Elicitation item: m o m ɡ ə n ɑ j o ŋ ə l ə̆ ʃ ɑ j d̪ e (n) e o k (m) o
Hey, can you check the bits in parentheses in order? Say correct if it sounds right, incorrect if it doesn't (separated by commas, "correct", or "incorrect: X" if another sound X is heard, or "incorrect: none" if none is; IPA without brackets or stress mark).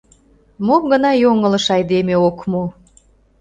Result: incorrect: m, correct